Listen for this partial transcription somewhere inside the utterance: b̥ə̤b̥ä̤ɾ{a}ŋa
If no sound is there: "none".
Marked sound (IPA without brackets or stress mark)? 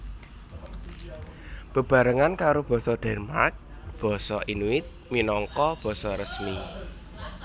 ə